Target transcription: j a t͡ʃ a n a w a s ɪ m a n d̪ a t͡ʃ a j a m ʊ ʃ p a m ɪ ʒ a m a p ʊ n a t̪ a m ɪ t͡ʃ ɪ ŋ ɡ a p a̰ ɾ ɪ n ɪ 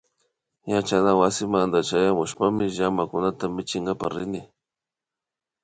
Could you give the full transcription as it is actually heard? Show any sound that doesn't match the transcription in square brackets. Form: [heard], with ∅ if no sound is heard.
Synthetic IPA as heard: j a t͡ʃ a n a w a s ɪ m a n d̪ a t͡ʃ a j a m ʊ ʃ p a m ɪ ʒ a m a [k] ʊ n a t̪ a m ɪ t͡ʃ ɪ ŋ ɡ a p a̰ ɾ ɪ n ɪ